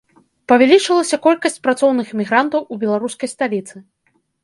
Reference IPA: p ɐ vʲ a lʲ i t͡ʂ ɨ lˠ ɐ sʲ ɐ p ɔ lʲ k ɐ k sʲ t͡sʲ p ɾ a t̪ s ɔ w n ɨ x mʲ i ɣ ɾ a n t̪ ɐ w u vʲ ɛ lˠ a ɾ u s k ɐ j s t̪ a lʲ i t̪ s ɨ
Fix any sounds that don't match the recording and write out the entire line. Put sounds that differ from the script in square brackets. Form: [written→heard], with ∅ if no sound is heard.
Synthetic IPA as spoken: p ɐ vʲ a lʲ i t͡ʂ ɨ lˠ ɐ sʲ ɐ [p→k] ɔ lʲ k ɐ [k→∅] sʲ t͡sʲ p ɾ a t̪ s ɔ w n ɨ x mʲ i ɣ ɾ a n t̪ ɐ w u [vʲ→bʲ] ɛ lˠ a ɾ u s k ɐ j s t̪ a lʲ i t̪ s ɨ